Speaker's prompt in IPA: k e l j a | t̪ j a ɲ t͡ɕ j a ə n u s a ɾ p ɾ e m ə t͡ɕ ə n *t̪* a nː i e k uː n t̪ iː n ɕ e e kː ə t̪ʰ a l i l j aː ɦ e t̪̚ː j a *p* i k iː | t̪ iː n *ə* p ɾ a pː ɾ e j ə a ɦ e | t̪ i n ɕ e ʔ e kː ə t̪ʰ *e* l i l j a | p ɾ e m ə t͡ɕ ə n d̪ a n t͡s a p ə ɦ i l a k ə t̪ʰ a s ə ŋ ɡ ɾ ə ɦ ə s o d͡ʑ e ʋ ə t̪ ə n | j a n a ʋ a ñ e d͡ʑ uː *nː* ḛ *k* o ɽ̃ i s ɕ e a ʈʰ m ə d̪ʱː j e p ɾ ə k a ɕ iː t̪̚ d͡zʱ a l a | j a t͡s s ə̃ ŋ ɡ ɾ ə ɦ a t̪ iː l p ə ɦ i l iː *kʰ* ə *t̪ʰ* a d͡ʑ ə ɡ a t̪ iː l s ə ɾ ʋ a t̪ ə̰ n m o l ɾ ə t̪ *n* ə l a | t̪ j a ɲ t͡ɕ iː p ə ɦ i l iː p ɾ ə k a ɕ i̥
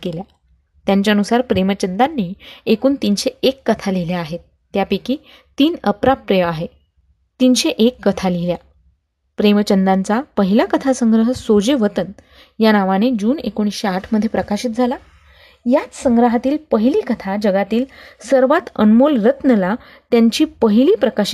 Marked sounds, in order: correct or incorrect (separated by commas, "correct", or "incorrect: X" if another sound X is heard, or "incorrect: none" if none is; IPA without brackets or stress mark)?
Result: incorrect: d̪, correct, correct, incorrect: a, incorrect: n, correct, incorrect: k, correct, correct